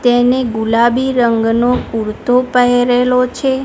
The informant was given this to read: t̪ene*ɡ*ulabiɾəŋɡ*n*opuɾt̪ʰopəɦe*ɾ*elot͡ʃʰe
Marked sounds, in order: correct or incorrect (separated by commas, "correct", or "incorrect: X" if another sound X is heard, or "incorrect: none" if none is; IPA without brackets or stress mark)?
correct, correct, correct